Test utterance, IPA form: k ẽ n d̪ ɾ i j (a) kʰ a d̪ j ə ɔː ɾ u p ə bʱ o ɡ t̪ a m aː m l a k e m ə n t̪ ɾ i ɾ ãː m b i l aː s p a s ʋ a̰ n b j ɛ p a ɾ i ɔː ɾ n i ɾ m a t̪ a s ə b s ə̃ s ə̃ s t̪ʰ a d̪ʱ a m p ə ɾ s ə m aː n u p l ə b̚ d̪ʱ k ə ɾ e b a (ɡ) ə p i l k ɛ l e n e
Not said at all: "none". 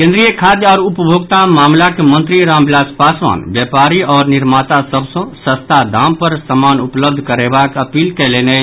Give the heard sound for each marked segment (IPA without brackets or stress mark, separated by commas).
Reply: ə, k